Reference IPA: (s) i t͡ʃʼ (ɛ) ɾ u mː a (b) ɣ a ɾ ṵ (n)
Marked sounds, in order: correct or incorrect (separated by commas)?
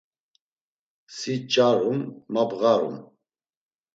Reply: correct, incorrect, correct, incorrect